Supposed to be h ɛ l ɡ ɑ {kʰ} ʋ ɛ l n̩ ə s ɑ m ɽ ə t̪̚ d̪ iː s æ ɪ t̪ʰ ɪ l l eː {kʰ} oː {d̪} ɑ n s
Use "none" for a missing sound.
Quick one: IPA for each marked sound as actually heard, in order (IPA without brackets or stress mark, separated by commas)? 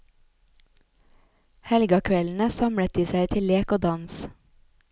kʰ, k, d̪